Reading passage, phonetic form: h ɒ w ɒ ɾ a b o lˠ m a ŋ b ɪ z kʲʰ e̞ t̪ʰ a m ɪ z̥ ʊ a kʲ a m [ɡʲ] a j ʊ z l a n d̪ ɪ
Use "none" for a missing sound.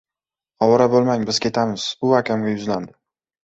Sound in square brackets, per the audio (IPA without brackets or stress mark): ɡʲ